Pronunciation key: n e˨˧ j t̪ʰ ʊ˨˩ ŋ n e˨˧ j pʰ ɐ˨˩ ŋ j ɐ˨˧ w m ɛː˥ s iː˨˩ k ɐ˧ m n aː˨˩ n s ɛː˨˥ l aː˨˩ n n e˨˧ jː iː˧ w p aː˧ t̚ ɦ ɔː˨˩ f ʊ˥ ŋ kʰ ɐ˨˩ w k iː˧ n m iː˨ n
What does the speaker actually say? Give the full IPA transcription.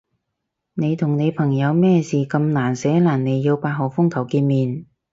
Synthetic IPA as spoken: n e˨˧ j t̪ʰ ʊ˨˩ ŋ n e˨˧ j pʰ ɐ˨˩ ŋ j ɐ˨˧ w m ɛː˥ s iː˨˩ k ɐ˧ m n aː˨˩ n s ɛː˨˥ l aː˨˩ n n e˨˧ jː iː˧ w p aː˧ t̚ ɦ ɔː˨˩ f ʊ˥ ŋ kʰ ɐ˨˩ w k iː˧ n m iː˨ n

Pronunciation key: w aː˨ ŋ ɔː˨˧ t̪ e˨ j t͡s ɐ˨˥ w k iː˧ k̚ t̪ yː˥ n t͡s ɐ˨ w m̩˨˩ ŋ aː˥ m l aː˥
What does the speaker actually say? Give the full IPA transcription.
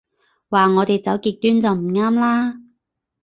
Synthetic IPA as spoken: w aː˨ ŋ ɔː˨˧ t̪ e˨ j t͡s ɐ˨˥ w k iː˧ k̚ t̪ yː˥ n t͡s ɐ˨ w m̩˨˩ ŋ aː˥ m l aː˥

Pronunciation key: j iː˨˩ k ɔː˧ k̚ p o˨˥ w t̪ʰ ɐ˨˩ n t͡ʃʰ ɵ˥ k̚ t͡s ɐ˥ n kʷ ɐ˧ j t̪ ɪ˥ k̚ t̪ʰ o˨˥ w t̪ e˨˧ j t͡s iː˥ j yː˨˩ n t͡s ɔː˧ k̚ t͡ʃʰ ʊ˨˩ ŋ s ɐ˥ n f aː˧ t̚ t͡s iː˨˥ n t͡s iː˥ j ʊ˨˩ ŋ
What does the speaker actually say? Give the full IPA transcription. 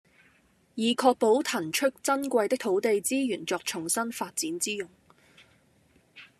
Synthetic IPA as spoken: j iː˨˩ kʰ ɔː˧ k̚ p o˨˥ w t̪ʰ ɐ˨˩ n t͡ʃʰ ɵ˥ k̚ t͡s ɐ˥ n kʷ ɐ˧ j t̪ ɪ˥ k̚ t̪ʰ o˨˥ w t̪ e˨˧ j t͡s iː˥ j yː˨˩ n t͡s ɔː˧ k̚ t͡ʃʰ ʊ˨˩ ŋ s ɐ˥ n f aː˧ t̚ t͡s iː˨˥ n t͡s iː˥ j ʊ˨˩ ŋ

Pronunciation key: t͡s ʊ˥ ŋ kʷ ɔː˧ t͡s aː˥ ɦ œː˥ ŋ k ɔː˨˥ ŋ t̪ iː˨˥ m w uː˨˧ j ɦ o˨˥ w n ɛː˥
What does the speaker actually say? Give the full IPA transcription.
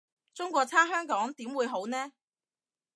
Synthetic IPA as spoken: t͡s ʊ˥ ŋ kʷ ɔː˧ t͡sʰ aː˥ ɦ œː˥ ŋ k ɔː˨˥ ŋ t̪ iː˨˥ m w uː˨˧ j ɦ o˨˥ w n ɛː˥

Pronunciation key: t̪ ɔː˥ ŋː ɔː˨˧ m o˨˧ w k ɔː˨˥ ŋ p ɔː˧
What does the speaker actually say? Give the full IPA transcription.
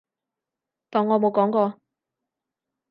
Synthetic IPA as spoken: t̪ ɔː˨˩ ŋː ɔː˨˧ m o˨˧ w k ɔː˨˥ ŋ k ɔː˧

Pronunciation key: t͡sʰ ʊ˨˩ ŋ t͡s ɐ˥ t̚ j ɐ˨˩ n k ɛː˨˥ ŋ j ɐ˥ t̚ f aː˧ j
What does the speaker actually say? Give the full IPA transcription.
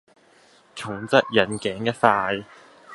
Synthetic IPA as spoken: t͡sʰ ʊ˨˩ ŋ t͡s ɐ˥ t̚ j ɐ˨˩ n k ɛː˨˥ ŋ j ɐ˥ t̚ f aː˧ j

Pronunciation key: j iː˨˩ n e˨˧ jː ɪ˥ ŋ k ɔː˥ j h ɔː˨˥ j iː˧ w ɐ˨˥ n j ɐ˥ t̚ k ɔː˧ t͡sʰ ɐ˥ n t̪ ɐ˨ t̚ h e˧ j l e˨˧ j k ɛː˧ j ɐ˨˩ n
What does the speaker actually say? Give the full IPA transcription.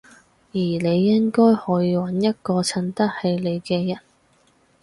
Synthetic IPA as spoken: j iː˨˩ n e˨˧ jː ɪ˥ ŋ k ɔː˥ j h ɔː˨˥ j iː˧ w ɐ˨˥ n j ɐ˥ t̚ k ɔː˧ t͡sʰ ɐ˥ n t̪ ɐ˥ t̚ h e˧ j l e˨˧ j k ɛː˧ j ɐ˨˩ n

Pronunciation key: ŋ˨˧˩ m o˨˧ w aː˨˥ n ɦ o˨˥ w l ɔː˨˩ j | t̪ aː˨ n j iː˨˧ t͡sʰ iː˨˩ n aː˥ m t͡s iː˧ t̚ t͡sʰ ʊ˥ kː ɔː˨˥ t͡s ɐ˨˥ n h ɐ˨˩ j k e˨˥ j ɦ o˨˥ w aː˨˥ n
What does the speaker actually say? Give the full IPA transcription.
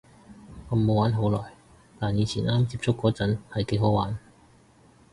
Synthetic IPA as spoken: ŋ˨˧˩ m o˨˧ w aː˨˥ n ɦ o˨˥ w l ɔː˨˩ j | t̪ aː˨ n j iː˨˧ t͡sʰ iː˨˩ n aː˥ m t͡s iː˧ p̚ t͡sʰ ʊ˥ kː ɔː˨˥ t͡s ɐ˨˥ n h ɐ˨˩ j k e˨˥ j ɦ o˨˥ w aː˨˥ n

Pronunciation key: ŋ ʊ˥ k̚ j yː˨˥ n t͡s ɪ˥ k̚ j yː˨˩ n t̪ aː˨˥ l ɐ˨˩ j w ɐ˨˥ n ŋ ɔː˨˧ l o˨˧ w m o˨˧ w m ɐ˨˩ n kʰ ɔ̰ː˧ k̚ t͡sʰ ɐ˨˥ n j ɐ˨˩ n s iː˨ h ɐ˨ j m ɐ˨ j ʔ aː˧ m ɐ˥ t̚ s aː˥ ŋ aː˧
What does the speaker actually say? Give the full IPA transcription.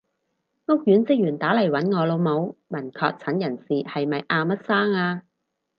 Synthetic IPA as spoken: ŋ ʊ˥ k̚ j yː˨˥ n t͡s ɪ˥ k̚ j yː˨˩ n t̪ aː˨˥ l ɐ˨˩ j w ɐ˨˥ n ŋ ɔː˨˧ l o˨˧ w m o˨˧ w m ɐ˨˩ n kʰ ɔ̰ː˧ k̚ t͡sʰ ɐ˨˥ n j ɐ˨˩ n s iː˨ h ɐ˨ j m ɐ˨ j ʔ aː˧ m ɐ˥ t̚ s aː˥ ŋ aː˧

